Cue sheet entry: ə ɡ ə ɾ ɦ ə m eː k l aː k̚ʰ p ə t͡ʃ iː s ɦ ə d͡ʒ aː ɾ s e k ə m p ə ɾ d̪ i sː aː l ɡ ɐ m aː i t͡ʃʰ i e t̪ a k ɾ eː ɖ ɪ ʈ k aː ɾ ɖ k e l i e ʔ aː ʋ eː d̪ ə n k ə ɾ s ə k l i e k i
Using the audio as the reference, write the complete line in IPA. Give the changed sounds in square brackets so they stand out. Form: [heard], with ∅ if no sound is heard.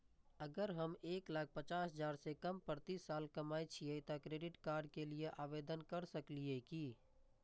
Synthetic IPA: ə ɡ ə ɾ ɦ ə m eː k l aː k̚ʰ p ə t͡ʃ [aː] s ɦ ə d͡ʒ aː ɾ s e k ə m p ə ɾ [t̪] i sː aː l [k] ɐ m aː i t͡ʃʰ i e t̪ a k ɾ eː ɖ ɪ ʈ k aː ɾ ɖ k e l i e ʔ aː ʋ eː d̪ ə n k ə ɾ s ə k l i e k i